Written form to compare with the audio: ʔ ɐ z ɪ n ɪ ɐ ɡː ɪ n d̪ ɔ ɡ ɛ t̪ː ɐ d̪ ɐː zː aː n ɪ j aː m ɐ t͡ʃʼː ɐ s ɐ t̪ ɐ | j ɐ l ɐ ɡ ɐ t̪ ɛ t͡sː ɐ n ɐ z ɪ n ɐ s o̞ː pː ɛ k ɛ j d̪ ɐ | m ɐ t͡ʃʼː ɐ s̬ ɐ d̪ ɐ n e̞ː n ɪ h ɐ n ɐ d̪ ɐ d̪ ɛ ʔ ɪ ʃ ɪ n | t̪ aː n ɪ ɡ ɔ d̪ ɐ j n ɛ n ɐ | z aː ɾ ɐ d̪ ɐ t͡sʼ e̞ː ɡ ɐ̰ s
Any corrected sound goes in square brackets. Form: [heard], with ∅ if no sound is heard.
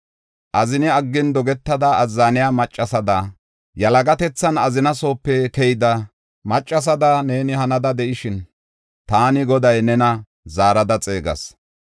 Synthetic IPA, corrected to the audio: ʔ ɐ z ɪ n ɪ ɐ ɡː ɪ n d̪ ɔ ɡ ɛ t̪ː ɐ d̪ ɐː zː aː n ɪ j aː m ɐ t͡ʃʼː ɐ s ɐ [d̪] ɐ | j ɐ l ɐ ɡ ɐ t̪ ɛ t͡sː ɐ n ɐ z ɪ n ɐ s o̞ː pː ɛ k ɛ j d̪ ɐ | m ɐ t͡ʃʼː ɐ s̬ ɐ d̪ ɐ n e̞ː n ɪ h ɐ n ɐ d̪ ɐ d̪ ɛ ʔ ɪ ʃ ɪ n | t̪ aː n ɪ ɡ ɔ d̪ ɐ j n ɛ n ɐ | z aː ɾ ɐ d̪ ɐ t͡sʼ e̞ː ɡ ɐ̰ s